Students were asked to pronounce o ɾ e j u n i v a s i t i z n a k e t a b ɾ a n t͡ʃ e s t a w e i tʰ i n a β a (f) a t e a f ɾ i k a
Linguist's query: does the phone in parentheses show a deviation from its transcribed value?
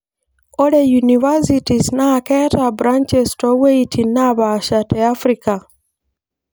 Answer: yes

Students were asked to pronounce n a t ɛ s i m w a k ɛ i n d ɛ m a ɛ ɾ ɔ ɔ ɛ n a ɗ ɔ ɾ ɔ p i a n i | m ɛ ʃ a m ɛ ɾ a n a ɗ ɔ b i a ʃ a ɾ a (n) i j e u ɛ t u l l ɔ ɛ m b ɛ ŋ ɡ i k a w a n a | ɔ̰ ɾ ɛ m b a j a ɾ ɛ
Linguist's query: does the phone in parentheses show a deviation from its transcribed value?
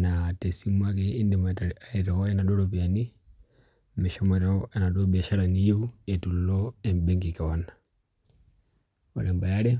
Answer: no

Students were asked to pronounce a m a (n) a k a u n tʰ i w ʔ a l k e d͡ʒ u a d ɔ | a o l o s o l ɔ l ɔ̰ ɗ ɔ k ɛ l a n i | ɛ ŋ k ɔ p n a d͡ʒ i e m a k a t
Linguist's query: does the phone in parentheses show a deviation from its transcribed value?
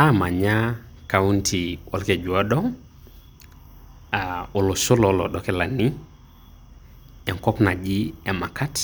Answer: yes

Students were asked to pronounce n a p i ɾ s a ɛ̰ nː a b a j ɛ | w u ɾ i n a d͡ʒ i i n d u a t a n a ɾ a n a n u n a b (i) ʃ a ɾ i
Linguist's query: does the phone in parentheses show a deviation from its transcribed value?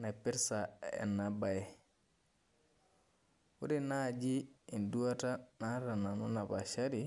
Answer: yes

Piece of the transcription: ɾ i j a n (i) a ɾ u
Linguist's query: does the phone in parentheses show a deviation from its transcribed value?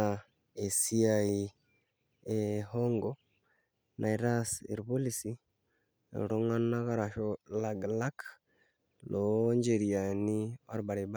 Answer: no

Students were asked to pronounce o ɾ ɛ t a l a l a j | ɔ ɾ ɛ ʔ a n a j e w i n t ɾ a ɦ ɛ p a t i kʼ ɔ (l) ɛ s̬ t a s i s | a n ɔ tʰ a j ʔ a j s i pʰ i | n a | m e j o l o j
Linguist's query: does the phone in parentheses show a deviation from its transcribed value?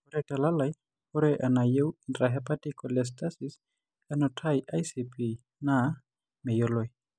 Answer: no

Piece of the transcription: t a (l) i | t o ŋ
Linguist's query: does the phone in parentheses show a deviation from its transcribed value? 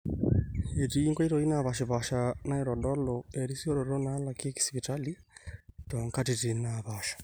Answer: no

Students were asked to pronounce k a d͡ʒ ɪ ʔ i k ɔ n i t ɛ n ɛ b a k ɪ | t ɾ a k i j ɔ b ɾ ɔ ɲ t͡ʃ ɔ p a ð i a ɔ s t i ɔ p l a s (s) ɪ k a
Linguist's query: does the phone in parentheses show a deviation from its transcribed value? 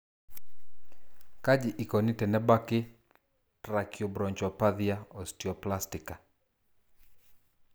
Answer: yes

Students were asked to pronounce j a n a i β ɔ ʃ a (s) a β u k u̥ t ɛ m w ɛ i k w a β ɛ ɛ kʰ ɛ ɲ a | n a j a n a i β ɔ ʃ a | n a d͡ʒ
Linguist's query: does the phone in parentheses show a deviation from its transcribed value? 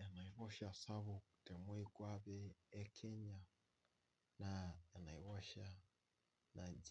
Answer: no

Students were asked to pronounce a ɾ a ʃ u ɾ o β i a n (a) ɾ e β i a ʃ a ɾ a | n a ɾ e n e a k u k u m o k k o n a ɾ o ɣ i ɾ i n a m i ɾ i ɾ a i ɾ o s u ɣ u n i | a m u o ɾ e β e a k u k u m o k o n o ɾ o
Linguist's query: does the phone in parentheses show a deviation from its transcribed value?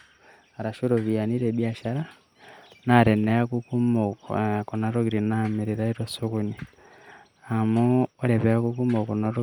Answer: yes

